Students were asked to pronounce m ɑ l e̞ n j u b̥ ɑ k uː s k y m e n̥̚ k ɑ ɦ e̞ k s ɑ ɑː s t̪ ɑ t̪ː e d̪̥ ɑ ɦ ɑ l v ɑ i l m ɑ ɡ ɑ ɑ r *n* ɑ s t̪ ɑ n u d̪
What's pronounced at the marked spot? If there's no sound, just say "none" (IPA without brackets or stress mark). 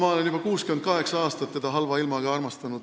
m